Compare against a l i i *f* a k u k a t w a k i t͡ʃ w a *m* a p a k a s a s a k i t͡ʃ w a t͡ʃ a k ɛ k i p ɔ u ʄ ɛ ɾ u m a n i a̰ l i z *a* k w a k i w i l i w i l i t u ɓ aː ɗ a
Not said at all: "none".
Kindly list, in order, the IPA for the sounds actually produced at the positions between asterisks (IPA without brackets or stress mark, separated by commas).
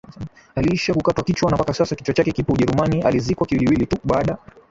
ʃ, n, i